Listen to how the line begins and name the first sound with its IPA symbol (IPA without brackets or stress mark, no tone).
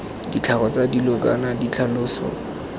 d